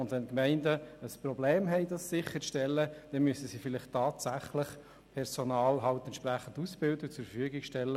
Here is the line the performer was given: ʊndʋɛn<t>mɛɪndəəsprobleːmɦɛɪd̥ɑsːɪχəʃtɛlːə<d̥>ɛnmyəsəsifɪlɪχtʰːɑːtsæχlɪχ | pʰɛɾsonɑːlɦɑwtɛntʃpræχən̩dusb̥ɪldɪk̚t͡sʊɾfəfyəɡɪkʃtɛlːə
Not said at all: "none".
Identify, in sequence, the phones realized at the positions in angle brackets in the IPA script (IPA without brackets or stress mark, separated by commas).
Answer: k, d̥